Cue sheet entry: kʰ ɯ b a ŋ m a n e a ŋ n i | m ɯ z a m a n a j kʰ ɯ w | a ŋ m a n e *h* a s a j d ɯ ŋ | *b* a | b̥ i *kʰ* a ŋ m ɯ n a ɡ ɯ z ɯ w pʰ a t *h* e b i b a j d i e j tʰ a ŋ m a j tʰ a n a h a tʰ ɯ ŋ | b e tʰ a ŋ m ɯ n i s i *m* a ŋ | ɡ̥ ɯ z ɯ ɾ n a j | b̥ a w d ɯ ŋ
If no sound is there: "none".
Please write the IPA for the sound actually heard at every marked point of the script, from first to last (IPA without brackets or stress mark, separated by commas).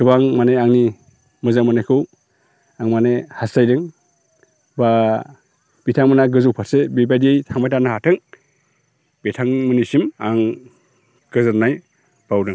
h, b, tʰ, s, m